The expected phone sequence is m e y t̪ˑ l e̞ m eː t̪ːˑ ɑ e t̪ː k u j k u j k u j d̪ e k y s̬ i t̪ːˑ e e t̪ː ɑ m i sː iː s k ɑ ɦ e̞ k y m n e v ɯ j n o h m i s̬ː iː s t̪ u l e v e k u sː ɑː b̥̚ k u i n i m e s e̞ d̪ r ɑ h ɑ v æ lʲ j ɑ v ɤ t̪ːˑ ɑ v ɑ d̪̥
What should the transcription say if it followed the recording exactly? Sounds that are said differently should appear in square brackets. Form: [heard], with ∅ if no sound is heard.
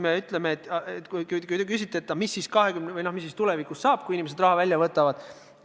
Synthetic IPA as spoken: m e y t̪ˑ l e̞ m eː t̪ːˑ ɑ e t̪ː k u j k u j k u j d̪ e k y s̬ i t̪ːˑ e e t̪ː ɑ m i sː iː s k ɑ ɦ e̞ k y m n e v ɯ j n o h m i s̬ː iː s t̪ u l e v [i] k u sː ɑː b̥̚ k u i n i m e s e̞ d̪ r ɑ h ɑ v æ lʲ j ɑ v ɤ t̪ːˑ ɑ v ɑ d̪̥